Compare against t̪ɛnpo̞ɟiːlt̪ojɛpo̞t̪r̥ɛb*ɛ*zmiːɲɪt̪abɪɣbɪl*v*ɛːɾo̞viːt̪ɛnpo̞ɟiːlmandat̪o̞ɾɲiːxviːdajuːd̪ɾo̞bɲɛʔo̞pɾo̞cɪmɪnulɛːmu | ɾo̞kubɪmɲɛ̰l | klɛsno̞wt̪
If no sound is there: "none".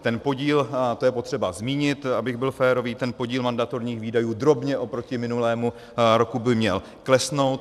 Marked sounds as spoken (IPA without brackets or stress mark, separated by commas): a, f